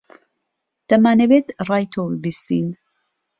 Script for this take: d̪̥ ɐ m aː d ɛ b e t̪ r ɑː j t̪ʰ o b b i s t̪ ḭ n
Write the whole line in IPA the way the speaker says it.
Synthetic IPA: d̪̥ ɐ m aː n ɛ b e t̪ r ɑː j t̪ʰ o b b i s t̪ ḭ n